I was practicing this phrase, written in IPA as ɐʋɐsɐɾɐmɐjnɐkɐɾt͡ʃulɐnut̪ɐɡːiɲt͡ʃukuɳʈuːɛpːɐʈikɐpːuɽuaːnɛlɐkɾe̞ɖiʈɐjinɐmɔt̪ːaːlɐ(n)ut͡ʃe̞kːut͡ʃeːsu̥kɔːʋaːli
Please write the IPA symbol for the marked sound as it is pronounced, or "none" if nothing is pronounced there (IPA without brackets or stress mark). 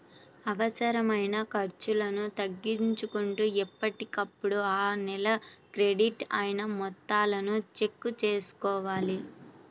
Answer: n